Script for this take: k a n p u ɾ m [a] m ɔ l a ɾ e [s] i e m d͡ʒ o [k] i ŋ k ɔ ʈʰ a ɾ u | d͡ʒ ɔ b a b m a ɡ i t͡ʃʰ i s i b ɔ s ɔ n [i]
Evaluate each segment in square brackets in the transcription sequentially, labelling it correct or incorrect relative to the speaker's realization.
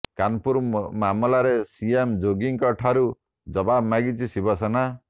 correct, correct, incorrect: ɡ, incorrect: a

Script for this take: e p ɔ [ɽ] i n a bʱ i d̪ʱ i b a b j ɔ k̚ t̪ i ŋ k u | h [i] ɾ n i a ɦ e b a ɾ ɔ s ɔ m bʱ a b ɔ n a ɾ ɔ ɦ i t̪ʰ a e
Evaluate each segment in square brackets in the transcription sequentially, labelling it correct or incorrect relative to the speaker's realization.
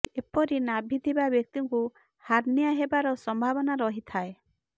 incorrect: ɾ, incorrect: a

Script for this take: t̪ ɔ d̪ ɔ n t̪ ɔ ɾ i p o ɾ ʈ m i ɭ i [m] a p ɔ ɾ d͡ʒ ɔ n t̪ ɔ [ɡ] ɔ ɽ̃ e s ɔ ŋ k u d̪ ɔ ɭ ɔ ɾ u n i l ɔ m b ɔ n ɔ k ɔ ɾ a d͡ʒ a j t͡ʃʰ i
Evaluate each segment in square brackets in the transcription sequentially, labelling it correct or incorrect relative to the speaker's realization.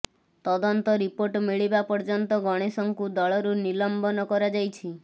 incorrect: b, correct

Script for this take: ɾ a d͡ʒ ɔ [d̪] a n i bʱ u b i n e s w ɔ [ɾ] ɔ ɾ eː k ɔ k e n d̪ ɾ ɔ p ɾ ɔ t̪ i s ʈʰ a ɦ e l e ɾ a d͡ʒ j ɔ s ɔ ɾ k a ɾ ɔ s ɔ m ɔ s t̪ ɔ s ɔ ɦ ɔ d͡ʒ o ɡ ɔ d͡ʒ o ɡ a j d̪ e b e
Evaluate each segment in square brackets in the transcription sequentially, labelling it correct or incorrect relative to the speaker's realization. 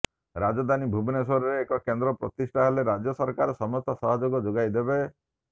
correct, correct

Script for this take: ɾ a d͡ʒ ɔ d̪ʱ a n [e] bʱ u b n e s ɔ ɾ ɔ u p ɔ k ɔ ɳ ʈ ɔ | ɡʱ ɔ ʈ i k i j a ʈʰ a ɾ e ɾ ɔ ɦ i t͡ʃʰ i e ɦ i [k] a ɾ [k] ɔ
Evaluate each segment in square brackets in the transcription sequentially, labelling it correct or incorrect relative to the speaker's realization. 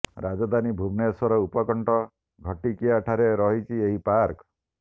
incorrect: i, incorrect: p, correct

